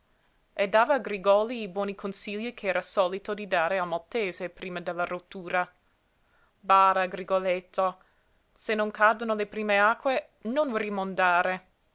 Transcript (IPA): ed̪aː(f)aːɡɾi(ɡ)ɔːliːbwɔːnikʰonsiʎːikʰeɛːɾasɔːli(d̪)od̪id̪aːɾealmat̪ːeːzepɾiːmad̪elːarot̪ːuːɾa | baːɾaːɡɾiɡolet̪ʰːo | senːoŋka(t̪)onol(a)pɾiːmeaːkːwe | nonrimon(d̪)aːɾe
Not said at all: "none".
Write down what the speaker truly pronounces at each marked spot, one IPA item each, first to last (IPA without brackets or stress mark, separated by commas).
v, ɡ, t̪, d̪, e, d̪